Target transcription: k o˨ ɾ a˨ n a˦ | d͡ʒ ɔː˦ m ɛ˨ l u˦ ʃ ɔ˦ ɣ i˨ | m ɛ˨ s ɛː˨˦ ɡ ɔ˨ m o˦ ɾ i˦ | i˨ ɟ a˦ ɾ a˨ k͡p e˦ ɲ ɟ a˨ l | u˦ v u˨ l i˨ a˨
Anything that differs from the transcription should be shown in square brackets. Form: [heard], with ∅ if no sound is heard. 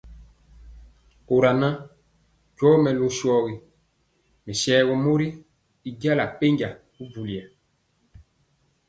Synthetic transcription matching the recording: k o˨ ɾ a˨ n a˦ | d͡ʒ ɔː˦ m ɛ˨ l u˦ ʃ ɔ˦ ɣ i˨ | m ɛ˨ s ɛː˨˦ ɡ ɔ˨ m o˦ ɾ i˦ | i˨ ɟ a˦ [l] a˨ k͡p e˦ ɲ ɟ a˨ [∅] | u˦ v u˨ l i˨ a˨